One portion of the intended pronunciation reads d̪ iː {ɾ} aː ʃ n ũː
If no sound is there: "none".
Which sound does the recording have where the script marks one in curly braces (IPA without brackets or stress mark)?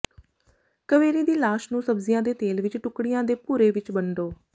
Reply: l